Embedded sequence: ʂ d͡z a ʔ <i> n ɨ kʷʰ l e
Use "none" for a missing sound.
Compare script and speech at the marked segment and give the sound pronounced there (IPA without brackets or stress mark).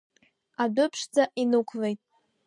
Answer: i